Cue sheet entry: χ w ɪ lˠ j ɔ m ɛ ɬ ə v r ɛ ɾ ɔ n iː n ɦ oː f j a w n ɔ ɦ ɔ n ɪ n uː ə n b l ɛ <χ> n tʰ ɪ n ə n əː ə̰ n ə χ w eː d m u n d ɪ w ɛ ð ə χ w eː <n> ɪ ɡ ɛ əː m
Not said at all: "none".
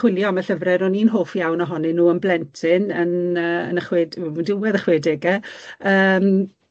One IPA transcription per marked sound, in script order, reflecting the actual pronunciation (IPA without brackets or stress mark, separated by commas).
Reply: none, d